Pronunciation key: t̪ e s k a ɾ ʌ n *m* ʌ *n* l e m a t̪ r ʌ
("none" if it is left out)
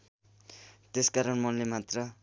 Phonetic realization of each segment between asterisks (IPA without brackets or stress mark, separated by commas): m, n